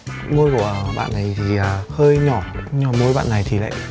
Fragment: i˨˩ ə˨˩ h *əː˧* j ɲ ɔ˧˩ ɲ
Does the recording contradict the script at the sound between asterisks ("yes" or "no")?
no